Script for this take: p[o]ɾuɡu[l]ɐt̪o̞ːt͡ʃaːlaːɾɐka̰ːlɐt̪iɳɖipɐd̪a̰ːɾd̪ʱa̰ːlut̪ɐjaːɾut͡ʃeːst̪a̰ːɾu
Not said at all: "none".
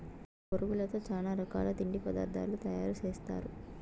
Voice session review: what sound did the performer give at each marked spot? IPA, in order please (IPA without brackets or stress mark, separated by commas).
o, l